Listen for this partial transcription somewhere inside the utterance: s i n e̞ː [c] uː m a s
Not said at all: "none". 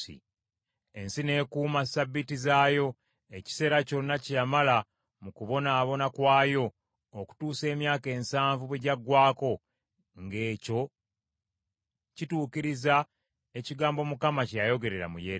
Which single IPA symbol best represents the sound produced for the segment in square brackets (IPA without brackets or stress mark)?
k